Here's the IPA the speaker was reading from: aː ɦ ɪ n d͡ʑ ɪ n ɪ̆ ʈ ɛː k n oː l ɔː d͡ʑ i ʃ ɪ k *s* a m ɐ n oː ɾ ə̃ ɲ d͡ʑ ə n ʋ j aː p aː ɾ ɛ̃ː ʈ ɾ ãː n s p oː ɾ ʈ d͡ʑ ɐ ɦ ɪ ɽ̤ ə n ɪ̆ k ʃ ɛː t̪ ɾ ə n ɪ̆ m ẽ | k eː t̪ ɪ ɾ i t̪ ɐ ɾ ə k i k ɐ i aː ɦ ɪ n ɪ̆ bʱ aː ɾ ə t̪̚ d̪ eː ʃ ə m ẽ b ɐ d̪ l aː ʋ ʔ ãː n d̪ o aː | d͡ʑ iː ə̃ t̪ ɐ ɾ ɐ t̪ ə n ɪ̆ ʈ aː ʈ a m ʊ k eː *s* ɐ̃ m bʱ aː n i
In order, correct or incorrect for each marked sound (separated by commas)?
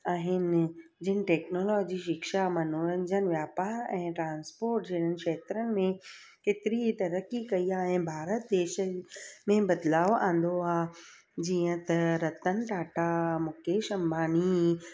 incorrect, incorrect